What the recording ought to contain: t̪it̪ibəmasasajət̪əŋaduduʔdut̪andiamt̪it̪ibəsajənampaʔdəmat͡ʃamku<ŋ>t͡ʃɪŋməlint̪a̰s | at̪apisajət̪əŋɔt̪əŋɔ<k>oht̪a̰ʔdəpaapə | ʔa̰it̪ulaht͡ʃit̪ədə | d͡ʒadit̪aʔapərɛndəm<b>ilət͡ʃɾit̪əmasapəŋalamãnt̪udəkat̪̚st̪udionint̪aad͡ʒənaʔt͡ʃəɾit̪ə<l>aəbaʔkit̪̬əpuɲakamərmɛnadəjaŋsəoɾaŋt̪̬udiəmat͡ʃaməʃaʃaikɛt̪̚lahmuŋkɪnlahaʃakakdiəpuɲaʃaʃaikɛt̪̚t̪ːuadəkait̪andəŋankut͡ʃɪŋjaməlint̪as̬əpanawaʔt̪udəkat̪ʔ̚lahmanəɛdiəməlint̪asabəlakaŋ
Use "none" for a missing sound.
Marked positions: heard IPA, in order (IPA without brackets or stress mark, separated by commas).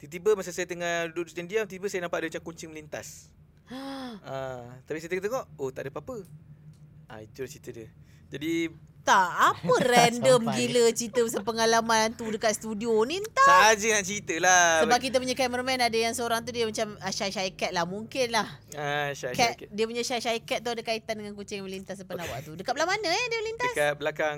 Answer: ɲ, ʔ, ɡ, l